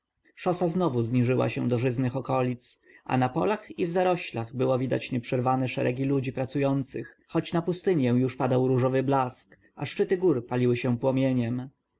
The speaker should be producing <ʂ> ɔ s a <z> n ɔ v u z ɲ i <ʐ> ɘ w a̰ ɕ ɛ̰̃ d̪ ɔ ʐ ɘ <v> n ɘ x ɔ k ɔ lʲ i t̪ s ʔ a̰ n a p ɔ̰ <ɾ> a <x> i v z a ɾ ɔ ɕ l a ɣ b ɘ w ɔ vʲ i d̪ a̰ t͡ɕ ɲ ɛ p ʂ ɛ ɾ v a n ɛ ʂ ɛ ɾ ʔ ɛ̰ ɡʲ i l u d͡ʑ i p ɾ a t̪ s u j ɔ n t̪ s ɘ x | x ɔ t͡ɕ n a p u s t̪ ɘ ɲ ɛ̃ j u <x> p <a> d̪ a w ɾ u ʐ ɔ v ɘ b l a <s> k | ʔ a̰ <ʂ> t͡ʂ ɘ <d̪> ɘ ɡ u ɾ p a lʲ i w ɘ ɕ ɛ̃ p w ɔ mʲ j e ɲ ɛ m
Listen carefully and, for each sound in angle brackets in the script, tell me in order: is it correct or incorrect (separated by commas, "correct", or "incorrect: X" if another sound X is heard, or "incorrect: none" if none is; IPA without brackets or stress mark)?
correct, correct, correct, incorrect: z, incorrect: l, correct, incorrect: ʂ, correct, correct, correct, incorrect: t̪